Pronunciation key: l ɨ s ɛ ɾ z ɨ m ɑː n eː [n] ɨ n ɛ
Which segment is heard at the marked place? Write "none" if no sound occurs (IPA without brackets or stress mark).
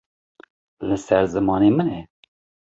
m